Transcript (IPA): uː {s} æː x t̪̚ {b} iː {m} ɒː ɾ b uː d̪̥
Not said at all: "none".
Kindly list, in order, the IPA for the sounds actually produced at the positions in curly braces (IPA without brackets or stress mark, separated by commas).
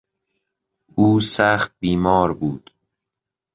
s, b, m